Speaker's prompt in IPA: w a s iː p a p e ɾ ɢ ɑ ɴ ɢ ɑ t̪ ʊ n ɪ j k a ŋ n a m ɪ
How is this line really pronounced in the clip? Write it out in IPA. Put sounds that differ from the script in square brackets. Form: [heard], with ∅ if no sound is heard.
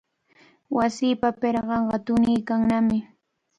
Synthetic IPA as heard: w a s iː p a p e ɾ ɢ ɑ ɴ ɢ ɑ t̪ ʊ n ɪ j k a ŋ n a m ɪ